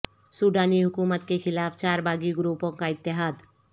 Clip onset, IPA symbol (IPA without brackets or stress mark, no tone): s